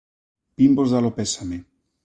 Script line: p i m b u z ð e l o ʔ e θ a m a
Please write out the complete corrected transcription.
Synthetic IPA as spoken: p i m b o z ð a l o p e s a m e